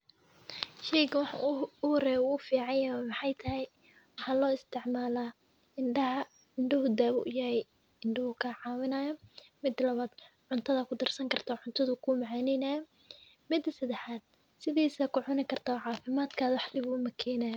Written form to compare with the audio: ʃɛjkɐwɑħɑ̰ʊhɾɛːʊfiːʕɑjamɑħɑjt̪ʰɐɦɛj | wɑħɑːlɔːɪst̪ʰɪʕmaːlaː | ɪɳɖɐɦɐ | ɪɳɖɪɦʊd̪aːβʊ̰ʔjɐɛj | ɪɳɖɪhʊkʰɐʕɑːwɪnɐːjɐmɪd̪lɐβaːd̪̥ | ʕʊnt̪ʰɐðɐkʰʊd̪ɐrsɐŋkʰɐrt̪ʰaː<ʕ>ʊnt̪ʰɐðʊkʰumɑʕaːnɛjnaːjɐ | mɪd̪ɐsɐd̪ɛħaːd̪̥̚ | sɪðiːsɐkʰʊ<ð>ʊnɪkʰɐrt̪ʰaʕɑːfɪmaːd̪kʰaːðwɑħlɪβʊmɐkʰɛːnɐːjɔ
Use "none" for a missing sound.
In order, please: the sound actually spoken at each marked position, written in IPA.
ʕ, ʕ

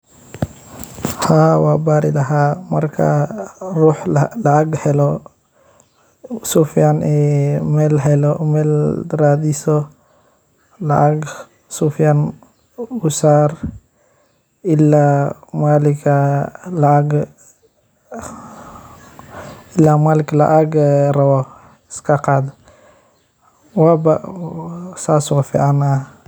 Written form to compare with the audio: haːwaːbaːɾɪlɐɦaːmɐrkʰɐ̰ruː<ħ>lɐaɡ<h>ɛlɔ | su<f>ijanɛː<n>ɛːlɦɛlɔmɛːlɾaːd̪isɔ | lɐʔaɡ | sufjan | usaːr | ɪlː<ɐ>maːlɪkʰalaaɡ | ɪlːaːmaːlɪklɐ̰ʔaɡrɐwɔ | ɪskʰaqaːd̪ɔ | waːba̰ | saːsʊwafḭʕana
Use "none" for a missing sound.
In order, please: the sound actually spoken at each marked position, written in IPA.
ħ, h, f, m, a

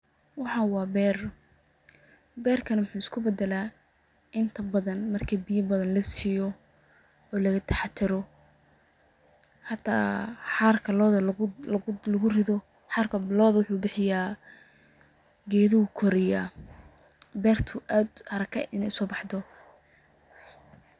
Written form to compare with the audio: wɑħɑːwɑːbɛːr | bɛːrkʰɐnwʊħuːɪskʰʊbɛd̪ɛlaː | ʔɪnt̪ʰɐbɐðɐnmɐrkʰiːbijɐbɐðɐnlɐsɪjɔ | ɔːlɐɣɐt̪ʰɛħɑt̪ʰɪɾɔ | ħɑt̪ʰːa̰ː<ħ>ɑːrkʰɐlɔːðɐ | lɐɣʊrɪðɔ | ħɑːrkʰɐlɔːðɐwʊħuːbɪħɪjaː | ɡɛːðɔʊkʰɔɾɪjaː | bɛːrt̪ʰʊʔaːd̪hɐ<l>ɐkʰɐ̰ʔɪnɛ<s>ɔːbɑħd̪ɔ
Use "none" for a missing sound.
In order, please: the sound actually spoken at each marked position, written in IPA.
ħ, ɾ, s

